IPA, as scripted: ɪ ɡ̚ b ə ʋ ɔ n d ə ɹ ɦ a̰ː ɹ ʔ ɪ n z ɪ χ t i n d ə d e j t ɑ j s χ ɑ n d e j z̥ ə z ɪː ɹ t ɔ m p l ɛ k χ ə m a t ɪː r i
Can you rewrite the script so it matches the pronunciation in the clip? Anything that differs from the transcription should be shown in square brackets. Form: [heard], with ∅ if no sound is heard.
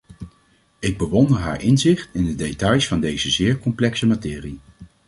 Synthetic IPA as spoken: ɪ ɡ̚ b ə ʋ ɔ n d ə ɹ ɦ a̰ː ɹ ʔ ɪ n z ɪ χ t [ɪ] n d ə d e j t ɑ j s [f] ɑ n d e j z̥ ə z ɪː ɹ [k] ɔ m p l ɛ k [s] ə m a t ɪː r i